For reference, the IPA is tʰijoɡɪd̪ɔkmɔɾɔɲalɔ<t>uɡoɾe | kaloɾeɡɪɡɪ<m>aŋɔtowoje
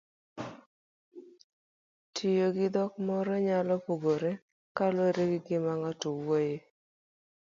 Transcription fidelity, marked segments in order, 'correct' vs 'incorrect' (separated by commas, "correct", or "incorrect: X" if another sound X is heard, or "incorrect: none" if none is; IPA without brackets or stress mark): incorrect: p, correct